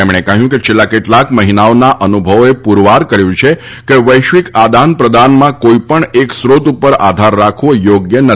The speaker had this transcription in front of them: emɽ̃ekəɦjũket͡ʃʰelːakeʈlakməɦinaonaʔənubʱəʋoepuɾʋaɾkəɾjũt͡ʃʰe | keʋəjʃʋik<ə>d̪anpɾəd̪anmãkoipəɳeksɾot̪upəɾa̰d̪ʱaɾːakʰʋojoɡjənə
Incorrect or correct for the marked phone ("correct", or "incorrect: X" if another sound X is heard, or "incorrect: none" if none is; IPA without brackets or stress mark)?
incorrect: a